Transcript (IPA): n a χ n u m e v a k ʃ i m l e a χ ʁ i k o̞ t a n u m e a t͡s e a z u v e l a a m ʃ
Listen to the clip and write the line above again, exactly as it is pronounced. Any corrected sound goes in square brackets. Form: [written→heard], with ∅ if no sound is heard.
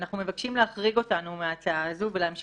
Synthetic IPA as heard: n a χ n u m e v a k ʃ i m l e a χ ʁ i [k→ɡ] o̞ t a n u m e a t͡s [e→a] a z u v e l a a m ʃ